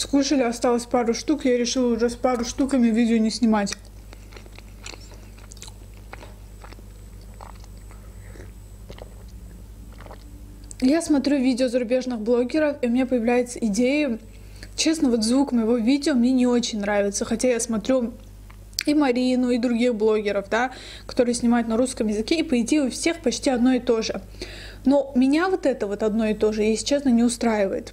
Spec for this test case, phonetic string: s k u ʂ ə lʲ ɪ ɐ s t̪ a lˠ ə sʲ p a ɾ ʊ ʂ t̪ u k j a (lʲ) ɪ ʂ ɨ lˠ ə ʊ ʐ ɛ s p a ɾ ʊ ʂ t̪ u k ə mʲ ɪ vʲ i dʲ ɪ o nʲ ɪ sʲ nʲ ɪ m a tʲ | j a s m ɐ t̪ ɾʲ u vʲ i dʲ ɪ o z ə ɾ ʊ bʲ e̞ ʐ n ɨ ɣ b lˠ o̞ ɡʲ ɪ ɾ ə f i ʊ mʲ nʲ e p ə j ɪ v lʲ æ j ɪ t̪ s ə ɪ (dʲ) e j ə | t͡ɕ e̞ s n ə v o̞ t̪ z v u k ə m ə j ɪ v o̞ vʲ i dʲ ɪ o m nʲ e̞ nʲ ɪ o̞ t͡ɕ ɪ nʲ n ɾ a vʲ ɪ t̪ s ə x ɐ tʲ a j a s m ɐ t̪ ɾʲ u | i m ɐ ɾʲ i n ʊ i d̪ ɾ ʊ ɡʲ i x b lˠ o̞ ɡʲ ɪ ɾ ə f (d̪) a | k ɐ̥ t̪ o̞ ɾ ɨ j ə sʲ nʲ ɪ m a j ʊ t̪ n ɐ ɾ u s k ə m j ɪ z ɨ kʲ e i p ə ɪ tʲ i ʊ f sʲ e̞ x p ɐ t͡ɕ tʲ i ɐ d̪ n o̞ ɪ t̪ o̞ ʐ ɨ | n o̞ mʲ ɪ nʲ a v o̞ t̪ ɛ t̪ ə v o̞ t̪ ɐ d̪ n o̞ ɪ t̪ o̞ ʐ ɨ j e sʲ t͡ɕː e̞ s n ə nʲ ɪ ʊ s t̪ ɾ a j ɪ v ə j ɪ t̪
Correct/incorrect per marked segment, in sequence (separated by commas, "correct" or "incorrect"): incorrect, correct, correct